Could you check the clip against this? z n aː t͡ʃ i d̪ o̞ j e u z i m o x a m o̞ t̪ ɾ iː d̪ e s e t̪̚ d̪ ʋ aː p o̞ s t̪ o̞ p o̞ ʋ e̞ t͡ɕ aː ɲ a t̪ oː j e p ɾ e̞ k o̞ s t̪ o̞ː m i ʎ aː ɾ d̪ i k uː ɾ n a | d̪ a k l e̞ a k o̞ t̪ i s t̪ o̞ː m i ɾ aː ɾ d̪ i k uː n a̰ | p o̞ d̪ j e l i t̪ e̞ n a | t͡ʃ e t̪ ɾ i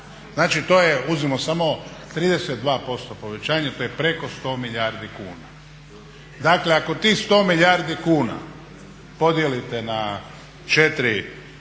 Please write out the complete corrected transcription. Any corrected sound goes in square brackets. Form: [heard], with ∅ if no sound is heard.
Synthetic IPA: z n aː t͡ʃ i [t̪] o̞ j e u z i m o [s] a m o̞ t̪ ɾ iː d̪ e s e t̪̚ d̪ ʋ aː p o̞ s t̪ o̞ p o̞ ʋ e̞ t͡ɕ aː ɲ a t̪ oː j e p ɾ e̞ k o̞ s t̪ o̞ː m i ʎ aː ɾ d̪ i k uː [∅] n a | d̪ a k l e̞ a k o̞ t̪ i s t̪ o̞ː m i [ʎ] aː ɾ d̪ i k uː n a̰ | p o̞ d̪ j e l i t̪ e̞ n a | t͡ʃ e t̪ ɾ i